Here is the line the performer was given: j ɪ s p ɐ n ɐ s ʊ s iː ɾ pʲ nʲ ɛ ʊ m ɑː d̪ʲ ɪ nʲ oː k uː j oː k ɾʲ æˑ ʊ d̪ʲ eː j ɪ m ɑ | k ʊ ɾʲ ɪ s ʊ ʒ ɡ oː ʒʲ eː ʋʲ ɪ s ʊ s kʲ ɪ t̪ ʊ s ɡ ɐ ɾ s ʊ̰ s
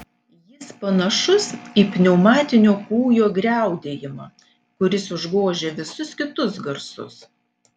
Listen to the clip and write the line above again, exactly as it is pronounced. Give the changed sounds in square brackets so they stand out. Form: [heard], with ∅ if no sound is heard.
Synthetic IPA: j ɪ s p ɐ n ɐ [ʃ] ʊ s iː [∅] pʲ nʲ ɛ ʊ m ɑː [t̪ʲ] ɪ nʲ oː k uː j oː [ɡ] ɾʲ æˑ ʊ d̪ʲ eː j ɪ m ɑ | k ʊ ɾʲ ɪ s ʊ ʒ ɡ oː ʒʲ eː ʋʲ ɪ s ʊ s kʲ ɪ t̪ ʊ s ɡ ɐ ɾ s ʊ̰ s